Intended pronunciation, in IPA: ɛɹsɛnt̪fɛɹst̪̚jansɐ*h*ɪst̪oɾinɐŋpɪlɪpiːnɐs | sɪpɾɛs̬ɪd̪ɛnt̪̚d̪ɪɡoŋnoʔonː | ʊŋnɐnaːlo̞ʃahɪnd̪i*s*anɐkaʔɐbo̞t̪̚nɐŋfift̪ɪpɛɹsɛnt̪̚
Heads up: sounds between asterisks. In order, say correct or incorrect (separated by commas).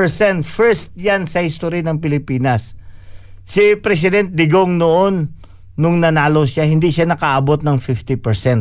correct, incorrect